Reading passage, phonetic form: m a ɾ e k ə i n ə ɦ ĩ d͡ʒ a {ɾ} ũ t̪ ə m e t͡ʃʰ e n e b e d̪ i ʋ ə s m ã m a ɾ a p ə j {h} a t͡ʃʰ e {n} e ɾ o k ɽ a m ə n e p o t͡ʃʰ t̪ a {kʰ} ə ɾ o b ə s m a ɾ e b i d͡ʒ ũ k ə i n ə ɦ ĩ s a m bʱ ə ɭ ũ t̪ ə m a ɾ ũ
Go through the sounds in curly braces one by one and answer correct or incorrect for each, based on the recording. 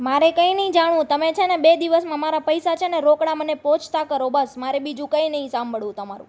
incorrect, incorrect, correct, incorrect

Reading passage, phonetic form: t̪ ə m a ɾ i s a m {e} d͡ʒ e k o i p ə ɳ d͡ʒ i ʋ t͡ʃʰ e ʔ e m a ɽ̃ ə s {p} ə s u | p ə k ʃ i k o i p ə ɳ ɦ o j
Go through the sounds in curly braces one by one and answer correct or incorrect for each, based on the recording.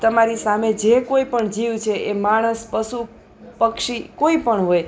correct, correct

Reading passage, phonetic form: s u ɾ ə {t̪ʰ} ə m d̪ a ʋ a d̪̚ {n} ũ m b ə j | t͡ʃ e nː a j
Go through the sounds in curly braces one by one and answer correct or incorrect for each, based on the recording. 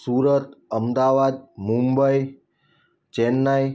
incorrect, incorrect

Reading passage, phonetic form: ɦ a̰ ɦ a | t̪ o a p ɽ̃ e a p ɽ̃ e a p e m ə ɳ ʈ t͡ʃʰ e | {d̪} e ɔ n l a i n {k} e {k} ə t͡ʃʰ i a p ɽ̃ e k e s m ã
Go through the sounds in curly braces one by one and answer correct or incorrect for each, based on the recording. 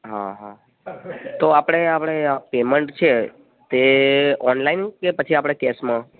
incorrect, correct, incorrect

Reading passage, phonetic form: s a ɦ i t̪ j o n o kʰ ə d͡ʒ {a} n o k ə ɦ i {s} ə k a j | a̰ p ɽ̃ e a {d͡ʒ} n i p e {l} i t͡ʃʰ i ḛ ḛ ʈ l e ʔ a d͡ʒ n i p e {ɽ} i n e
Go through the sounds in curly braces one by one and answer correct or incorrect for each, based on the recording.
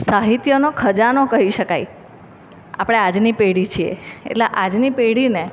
correct, incorrect, correct, incorrect, correct

